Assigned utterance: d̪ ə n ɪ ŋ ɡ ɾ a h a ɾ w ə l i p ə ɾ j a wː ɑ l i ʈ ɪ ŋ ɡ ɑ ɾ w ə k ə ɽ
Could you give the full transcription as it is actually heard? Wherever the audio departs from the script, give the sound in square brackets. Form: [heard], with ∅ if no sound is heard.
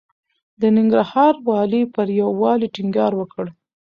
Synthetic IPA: d̪ ə n ɪ ŋ ɡ ɾ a h [ɑ] ɾ w [ɑ] l i p ə ɾ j a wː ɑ l i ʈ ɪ ŋ ɡ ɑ ɾ w ə k ə ɽ